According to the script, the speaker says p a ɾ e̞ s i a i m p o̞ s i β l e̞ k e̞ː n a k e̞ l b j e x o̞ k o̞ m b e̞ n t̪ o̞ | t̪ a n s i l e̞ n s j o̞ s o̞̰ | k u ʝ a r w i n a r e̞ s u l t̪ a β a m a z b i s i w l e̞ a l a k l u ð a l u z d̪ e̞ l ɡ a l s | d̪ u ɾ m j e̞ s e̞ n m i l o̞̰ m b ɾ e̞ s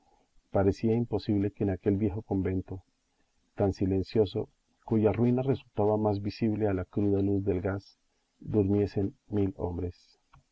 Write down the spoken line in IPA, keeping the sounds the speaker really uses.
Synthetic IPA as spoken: p a ɾ e̞ s i a i m p o̞ s i β l e̞ k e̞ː n a k e̞ l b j e x o̞ k o̞ m b e̞ n t̪ o̞ | t̪ a n s i l e̞ n s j o̞ s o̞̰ | k u ʝ a r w i n a r e̞ s u l t̪ a β a m a z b i s i β l e̞ a l a k ɾ u ð a l u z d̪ e̞ l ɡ a s | d̪ u ɾ m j e̞ s e̞ n m i l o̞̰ m b ɾ e̞ s